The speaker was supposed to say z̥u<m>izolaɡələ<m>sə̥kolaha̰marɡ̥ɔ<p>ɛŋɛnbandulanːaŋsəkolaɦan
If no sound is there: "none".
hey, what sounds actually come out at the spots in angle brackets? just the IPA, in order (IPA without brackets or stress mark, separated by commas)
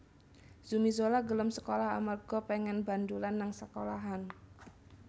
m, m, p